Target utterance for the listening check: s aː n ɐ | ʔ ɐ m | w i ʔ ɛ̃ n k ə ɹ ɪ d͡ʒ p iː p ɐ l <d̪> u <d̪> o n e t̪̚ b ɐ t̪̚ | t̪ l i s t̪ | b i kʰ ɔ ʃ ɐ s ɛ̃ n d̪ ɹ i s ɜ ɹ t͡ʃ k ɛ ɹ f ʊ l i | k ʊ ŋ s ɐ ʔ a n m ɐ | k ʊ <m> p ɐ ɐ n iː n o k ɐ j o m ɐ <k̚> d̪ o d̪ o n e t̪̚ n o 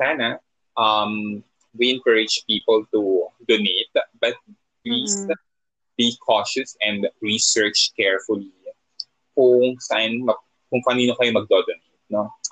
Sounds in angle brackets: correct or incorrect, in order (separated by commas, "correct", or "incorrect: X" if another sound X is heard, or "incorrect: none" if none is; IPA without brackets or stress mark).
incorrect: t̪, correct, incorrect: ŋ, incorrect: ɡ̚